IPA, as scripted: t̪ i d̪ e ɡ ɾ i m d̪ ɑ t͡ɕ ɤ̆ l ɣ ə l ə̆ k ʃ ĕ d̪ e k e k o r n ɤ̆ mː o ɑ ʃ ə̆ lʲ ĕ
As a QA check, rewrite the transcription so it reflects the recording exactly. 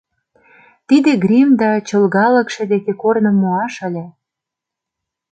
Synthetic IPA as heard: t̪ i d̪ e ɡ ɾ i m d̪ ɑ t͡ɕ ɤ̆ l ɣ ɑ l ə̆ k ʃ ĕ d̪ e k e k o r n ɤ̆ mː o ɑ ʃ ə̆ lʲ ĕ